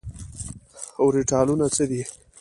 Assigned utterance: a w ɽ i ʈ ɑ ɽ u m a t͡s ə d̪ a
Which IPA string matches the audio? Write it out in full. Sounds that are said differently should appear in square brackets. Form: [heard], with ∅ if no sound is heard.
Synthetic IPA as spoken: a w [ɾ] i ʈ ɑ [l] u [n] a t͡s ə d̪ [i]